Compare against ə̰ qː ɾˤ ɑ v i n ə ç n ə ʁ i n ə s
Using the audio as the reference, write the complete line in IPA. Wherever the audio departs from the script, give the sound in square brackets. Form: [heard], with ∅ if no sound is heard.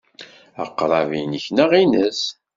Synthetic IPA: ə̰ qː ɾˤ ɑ v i n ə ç n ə ʁ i n ə s

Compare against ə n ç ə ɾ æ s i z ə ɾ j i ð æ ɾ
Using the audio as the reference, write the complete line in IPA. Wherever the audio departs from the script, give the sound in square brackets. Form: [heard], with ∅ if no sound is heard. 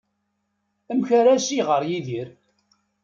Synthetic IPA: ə [m] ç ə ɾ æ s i [ʁ] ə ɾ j i ð [i] ɾ

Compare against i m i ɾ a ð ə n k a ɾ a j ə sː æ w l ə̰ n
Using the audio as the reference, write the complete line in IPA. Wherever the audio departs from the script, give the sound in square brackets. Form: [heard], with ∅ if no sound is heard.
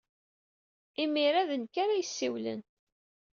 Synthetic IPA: i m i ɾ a ð ə n k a ɾ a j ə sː [i] w l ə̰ n

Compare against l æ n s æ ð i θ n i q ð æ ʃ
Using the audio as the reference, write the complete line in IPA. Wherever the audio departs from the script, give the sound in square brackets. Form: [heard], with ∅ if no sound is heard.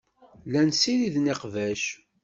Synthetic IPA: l æ n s [i] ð i [ð] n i q [v] æ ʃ

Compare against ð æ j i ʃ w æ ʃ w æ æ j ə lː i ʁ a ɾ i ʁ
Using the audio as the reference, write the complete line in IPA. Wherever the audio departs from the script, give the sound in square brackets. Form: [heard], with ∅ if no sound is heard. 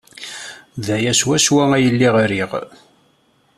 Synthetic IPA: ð æ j [æ] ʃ w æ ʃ w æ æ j ə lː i ʁ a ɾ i ʁ

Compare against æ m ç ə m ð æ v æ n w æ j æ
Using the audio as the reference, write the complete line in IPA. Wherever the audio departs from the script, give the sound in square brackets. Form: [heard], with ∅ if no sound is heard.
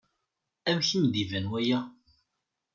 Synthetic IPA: æ m ç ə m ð [i] v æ n w æ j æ

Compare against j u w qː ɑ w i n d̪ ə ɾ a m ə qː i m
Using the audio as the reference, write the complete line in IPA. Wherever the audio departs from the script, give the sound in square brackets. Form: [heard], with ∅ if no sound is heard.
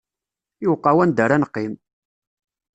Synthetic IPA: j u w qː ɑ w [æ] n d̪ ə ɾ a [n] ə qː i m

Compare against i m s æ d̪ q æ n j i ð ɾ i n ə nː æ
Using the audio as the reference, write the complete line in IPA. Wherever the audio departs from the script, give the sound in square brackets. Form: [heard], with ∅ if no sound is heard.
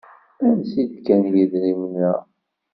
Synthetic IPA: [æ] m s [i] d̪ [k] æ n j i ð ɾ i [m] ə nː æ

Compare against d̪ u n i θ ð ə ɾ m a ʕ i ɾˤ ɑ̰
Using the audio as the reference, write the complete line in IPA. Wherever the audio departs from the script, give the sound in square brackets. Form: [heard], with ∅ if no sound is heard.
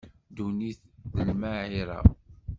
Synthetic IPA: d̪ u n i θ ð ə [l] m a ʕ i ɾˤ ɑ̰

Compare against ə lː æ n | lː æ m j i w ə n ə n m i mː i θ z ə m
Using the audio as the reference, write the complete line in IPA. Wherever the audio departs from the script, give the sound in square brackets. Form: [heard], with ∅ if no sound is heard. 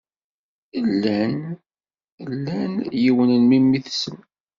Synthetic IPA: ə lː æ n | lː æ [n] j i w ə n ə n m i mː i θ [s] ə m

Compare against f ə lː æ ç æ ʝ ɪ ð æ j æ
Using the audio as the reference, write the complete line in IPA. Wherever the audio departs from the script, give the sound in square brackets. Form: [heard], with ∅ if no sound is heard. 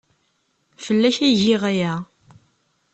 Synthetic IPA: f ə lː æ ç æ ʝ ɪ [ʁ] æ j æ

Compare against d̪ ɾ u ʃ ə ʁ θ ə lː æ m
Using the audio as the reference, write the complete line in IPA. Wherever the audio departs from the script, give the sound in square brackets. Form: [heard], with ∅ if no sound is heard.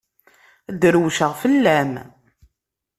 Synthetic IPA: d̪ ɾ [w] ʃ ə ʁ [f] ə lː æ m

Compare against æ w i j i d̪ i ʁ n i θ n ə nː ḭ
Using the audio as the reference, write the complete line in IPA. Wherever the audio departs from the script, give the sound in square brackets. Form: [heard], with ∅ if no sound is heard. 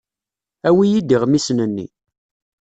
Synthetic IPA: æ w i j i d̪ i ʁ [m] i [s] n ə nː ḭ

